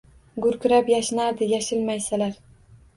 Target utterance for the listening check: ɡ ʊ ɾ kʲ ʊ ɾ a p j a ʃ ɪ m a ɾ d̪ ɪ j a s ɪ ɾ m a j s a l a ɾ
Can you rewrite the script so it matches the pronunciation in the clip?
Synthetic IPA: ɡ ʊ ɾ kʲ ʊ ɾ a p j a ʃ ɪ n a ɾ d̪ ɪ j a ʃ ɪ l m a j s a l a ɾ